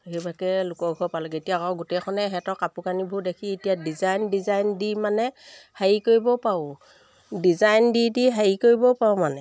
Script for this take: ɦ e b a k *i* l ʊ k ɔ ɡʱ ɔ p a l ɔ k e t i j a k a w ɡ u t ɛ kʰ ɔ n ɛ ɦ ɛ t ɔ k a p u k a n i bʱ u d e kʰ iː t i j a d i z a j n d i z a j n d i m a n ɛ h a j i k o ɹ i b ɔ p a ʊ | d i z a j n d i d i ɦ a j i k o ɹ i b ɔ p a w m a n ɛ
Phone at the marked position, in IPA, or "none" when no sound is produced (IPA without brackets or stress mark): ɛ